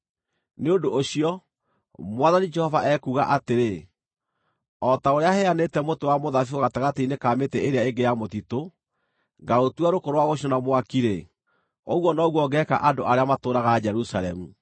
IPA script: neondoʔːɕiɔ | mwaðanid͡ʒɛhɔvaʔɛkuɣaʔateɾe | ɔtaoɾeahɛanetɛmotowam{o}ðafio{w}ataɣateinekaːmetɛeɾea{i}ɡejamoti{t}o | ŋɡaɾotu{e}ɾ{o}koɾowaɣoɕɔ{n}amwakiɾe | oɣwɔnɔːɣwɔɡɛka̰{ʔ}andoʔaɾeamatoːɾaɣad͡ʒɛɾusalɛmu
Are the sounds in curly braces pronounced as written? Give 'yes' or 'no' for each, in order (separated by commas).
yes, no, no, yes, no, yes, yes, yes